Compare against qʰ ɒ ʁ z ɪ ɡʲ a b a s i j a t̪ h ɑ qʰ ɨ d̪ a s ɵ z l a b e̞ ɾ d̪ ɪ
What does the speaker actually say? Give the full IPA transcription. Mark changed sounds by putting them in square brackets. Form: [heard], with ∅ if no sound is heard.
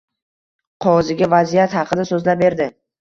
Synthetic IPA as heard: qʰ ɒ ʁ z ɪ ɡʲ a [v] a [z] i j a t̪ h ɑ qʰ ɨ d̪ a s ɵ z l a b e̞ ɾ d̪ ɪ